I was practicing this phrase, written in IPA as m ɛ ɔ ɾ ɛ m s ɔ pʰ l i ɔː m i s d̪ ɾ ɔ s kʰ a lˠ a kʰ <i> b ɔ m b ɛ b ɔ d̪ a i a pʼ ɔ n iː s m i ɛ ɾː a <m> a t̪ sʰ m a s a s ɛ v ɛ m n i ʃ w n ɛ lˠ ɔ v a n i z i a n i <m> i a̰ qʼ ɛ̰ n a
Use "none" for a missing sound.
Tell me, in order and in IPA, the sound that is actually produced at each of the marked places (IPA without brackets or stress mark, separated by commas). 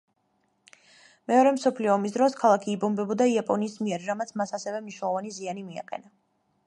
iː, m, m